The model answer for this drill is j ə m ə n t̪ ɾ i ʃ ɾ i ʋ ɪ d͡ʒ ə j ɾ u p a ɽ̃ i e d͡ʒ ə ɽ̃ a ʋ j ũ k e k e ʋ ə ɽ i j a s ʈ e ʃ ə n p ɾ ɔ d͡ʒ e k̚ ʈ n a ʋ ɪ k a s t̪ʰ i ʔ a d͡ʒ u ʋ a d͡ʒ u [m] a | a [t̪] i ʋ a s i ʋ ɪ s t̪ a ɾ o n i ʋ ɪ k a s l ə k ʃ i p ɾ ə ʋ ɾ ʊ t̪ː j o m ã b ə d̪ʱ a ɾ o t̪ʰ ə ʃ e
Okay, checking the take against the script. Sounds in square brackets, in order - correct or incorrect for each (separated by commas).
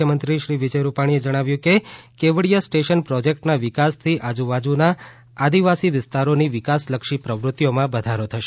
incorrect, incorrect